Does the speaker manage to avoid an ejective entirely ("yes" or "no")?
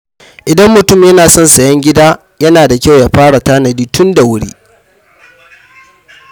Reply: yes